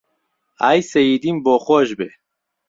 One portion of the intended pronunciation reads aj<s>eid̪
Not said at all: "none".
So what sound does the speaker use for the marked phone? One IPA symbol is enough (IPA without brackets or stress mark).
s